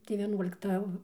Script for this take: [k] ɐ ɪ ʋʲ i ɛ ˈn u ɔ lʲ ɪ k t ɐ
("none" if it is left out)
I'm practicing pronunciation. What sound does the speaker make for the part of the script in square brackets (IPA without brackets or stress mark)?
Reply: t